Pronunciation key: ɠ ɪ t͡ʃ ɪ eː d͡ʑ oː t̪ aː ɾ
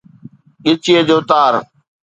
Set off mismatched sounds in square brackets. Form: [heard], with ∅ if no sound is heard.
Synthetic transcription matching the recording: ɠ ɪ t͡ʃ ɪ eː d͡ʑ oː t̪ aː ɾ